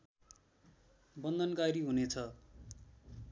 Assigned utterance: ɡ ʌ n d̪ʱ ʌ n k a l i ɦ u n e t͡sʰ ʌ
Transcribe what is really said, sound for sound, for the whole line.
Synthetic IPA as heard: b ʌ n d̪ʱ ʌ n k a ɾ i ɦ u n e t͡sʰ ʌ

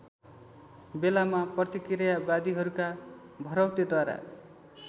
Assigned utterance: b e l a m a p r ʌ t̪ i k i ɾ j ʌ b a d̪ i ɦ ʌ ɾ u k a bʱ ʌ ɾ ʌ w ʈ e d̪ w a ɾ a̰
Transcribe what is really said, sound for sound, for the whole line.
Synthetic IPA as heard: b e l a m a p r ʌ t̪ i k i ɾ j a b a d̪ i ɦ ʌ ɾ u k a bʱ ʌ ɾ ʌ w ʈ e d̪ w a ɾ a̰

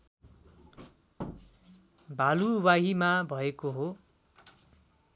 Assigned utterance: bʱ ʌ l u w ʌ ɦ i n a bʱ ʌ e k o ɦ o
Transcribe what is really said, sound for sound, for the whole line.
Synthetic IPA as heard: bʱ a l u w a ɦ i m a bʱ ʌ e k o ɦ o

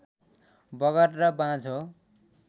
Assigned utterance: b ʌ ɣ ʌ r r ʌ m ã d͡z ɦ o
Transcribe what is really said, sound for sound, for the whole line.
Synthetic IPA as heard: b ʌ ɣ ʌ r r ʌ b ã d͡z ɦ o

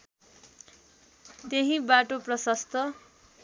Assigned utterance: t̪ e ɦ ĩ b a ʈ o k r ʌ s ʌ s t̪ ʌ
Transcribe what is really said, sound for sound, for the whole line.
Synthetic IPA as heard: t̪ e ɦ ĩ b a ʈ o p r ʌ s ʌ s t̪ ʌ

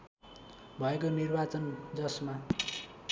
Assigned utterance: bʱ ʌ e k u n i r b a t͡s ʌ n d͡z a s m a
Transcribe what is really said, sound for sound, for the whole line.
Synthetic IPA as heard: bʱ ʌ e k o n i r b a t͡s ʌ n d͡z ʌ s m a

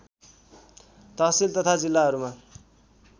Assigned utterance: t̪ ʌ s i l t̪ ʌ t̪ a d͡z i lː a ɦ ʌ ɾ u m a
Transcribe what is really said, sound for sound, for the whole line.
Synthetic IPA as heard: t̪ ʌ s i l t̪ ʌ t̪ʰ a d͡z i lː a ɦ ʌ ɾ u m a

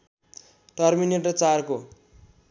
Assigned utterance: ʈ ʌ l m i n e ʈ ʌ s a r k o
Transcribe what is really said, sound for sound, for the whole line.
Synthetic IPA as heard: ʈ ʌ r m i n e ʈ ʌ t͡s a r k o

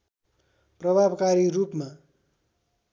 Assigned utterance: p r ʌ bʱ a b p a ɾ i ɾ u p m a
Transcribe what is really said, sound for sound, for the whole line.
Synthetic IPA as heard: p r ʌ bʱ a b k a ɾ i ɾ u p m a

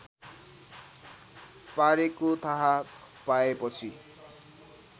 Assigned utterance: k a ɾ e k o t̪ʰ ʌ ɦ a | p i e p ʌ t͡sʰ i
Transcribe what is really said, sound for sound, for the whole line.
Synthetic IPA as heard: p a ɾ e k o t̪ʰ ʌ ɦ a | p a e p ʌ t͡sʰ i

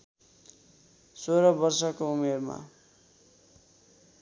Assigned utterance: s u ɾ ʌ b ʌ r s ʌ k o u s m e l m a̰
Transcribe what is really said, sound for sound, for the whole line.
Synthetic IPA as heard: s o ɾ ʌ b ʌ r s ʌ k o u m e r m a̰

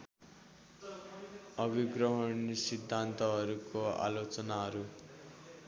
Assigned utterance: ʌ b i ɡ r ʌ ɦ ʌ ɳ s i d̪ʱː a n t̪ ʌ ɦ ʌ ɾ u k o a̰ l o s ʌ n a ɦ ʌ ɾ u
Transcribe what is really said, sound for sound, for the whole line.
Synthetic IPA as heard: ʌ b i ɡ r ʌ ɦ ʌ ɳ s i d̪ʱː a n t̪ ʌ ɦ ʌ ɾ u k o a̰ l o t͡s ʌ n a ɦ ʌ ɾ u

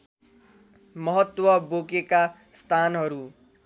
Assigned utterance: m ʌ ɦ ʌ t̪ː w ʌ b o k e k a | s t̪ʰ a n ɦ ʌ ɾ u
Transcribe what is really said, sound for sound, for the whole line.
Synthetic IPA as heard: m ʌ ɦ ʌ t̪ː w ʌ b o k e k a | s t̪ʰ a n ɦ ʌ ɾ u

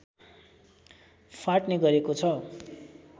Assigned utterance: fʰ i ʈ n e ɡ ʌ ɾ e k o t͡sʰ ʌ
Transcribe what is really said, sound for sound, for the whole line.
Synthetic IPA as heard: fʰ a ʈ n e ɡ ʌ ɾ e k o t͡sʰ ʌ

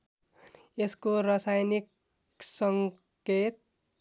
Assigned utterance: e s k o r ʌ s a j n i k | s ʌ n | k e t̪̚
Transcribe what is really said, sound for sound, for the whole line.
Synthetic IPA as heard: e s k o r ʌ s a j n i k | s ʌ ŋ | k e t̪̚

